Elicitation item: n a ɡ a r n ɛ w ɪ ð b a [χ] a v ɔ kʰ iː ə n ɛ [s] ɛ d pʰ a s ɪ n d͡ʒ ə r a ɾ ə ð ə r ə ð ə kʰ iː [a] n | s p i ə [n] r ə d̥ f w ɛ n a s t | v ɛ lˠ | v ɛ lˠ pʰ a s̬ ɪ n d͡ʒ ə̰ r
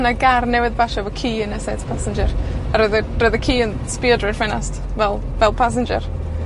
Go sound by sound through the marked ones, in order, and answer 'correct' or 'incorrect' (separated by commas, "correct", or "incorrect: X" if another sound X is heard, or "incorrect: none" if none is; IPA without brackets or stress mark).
incorrect: ʃ, correct, incorrect: ə, incorrect: d